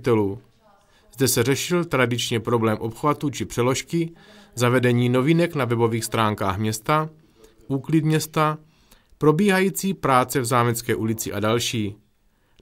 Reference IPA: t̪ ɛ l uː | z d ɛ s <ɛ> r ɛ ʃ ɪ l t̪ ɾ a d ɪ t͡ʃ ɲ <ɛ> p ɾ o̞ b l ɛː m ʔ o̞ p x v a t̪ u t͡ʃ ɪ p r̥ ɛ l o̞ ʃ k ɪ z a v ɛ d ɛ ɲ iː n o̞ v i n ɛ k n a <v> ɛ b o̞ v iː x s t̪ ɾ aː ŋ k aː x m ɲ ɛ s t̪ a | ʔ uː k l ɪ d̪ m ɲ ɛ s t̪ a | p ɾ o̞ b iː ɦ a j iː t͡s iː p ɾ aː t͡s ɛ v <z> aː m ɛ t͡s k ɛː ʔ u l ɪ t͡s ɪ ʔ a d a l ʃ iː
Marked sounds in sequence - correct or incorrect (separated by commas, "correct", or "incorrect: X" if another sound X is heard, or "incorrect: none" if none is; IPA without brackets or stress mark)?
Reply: correct, correct, correct, correct